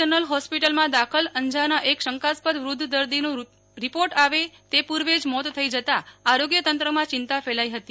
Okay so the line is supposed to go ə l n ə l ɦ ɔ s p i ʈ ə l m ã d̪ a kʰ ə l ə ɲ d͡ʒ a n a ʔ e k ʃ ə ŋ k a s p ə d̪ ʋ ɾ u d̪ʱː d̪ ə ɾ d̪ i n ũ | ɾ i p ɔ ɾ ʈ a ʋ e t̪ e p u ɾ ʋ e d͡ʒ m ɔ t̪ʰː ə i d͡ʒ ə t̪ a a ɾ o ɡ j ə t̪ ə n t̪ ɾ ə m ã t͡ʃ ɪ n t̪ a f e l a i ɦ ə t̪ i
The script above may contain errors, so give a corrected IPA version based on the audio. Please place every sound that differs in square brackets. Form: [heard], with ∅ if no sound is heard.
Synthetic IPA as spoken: ə [∅] n ə l ɦ ɔ s p i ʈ ə l m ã d̪ a kʰ ə l ə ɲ d͡ʒ a n a ʔ e k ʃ ə ŋ k a s p ə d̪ ʋ ɾ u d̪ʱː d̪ ə ɾ d̪ i n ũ | ɾ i p [o] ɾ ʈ a ʋ e t̪ e p u ɾ ʋ e d͡ʒ m ɔ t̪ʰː ə i d͡ʒ ə t̪ a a ɾ o ɡ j ə t̪ ə n t̪ ɾ ə m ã t͡ʃ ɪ n t̪ a f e l a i ɦ ə t̪ i